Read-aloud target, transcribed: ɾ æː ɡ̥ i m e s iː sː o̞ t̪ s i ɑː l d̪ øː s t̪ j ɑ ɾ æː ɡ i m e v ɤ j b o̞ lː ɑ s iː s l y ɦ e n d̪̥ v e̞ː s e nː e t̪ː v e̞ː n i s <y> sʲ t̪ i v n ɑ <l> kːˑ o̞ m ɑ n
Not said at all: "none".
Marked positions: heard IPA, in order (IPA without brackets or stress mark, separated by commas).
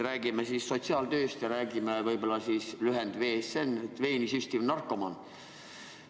y, r